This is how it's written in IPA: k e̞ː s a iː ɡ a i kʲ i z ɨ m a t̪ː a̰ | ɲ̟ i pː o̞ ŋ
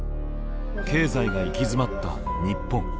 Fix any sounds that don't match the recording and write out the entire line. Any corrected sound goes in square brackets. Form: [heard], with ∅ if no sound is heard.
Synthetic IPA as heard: k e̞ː [z] a [i] ɡ a i kʲ i z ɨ m a t̪ː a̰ | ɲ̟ i pː [õ̞] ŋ